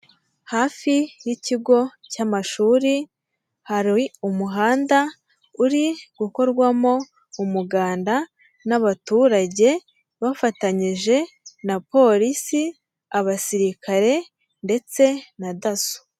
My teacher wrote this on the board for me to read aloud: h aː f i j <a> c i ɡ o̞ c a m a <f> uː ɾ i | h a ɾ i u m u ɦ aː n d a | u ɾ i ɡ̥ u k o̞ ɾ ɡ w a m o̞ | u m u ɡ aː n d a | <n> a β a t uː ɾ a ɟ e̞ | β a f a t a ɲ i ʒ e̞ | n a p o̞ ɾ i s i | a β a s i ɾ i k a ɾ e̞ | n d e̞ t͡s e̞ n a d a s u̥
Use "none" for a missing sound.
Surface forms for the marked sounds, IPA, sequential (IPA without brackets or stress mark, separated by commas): i, ʃ, n